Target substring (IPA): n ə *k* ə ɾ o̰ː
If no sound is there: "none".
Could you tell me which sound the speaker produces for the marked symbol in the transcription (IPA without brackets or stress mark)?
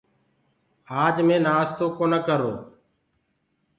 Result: k